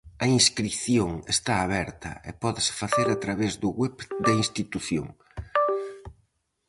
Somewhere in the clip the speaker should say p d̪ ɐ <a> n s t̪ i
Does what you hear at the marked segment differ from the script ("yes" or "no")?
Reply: yes